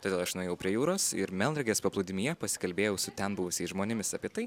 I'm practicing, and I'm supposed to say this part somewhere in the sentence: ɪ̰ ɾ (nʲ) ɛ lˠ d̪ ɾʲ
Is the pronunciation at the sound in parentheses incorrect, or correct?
incorrect